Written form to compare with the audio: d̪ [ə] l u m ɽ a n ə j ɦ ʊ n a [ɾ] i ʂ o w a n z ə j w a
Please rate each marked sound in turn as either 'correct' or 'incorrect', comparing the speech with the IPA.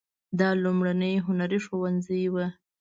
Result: incorrect, correct

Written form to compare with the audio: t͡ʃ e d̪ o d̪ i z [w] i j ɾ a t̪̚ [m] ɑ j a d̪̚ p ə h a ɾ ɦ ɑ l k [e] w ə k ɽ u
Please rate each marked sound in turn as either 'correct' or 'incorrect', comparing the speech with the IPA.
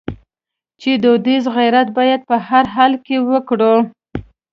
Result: incorrect, incorrect, correct

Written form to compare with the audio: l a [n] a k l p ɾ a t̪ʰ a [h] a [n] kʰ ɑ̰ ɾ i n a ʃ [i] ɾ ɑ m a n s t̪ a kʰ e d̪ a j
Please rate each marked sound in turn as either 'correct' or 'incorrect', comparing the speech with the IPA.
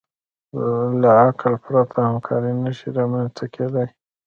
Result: incorrect, correct, incorrect, correct

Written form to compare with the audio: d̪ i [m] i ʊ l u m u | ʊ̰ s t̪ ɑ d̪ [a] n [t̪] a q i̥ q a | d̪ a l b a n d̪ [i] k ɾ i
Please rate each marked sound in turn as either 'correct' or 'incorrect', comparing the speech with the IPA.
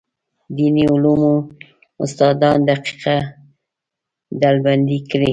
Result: incorrect, incorrect, incorrect, correct

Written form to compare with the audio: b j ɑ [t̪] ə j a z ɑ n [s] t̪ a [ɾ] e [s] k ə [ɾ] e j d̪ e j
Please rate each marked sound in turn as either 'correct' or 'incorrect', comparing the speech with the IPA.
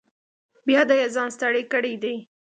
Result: incorrect, correct, incorrect, incorrect, incorrect

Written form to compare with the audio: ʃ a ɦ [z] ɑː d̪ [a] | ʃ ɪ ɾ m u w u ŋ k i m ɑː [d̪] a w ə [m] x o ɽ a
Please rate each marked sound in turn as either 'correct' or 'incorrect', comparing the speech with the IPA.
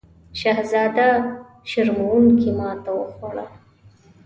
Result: correct, correct, incorrect, incorrect

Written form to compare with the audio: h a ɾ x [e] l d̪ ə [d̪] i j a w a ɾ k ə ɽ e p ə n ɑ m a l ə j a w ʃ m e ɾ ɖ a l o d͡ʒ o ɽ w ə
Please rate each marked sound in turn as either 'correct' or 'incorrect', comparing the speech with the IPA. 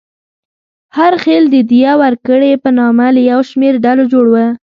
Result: correct, correct

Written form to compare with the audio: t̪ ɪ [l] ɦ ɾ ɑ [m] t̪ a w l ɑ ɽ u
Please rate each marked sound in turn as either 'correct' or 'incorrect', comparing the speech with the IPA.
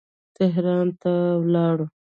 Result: incorrect, incorrect

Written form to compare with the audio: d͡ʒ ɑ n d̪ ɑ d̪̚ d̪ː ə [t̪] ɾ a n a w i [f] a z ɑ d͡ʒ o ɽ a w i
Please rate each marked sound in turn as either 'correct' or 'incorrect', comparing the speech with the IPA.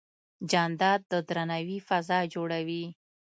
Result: incorrect, correct

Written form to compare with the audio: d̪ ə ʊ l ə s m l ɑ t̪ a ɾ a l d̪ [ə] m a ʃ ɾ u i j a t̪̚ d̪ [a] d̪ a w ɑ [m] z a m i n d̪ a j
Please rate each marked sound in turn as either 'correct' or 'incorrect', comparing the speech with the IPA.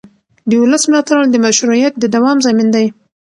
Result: correct, incorrect, correct

